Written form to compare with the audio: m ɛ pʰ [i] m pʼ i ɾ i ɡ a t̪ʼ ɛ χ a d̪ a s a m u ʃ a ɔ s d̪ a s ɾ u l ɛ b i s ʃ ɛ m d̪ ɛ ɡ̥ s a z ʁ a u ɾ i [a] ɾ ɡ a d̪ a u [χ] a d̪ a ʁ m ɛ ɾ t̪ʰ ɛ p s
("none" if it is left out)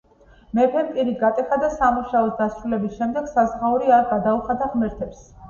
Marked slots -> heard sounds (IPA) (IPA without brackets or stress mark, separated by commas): ɛ, a, χ